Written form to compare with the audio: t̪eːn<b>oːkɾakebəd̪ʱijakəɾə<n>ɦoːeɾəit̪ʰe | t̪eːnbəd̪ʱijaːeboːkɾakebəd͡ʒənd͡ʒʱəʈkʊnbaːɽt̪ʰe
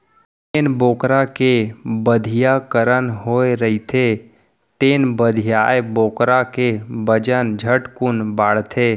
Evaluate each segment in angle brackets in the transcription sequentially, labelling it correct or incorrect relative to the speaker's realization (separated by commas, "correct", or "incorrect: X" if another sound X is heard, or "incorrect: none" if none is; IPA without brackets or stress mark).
correct, correct